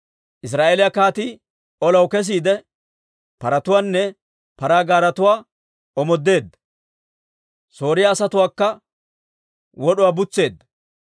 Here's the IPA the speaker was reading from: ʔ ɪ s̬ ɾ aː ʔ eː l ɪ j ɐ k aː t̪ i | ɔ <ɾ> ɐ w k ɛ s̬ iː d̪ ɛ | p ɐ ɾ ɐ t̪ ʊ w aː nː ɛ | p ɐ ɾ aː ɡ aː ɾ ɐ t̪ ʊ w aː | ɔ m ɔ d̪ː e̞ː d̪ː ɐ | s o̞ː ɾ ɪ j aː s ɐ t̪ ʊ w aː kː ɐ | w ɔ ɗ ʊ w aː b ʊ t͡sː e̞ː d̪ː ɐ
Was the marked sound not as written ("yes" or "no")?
yes